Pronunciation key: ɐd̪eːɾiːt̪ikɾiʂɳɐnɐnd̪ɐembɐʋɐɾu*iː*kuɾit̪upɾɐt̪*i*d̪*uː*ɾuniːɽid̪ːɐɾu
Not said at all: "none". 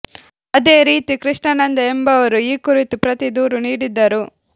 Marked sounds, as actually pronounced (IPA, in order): iː, i, uː

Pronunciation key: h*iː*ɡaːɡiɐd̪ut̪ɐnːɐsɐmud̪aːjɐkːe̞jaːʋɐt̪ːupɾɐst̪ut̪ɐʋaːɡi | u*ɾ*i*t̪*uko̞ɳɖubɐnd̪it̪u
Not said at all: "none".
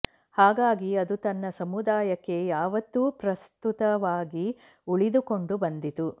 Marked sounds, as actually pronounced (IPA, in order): aː, ɭ, d̪

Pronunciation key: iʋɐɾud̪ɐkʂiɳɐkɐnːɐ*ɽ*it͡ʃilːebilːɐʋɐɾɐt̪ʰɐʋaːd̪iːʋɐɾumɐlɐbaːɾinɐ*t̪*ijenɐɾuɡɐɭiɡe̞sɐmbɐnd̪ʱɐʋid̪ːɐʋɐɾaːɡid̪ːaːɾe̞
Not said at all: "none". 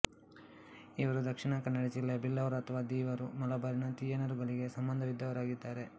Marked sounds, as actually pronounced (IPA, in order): ɽ, t̪

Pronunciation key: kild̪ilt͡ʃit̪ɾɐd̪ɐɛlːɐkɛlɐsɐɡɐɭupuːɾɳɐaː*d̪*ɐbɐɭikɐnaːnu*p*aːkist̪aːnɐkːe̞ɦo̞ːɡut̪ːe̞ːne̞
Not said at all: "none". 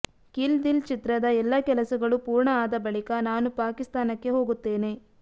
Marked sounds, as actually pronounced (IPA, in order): d̪, p

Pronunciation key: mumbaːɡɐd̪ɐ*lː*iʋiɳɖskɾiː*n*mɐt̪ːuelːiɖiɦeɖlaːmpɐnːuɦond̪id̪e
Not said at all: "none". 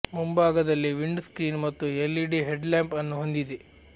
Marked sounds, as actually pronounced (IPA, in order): lː, n

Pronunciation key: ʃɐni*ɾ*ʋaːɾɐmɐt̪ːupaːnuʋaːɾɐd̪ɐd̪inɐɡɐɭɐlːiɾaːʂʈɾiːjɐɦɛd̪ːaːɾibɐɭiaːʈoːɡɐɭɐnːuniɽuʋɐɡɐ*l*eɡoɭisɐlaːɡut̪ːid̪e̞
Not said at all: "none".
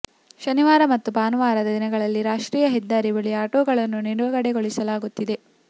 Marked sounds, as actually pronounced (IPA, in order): none, ɽ

